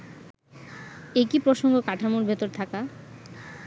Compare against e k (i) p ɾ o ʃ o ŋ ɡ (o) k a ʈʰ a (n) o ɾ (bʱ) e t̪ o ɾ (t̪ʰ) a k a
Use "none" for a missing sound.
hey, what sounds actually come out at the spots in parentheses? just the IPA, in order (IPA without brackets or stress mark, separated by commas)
i, o, m, bʱ, t̪ʰ